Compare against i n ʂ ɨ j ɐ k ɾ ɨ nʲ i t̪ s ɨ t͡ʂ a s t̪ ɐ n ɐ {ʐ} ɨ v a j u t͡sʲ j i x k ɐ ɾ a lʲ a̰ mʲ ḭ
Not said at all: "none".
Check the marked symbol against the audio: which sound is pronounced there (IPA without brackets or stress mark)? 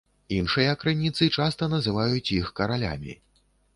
z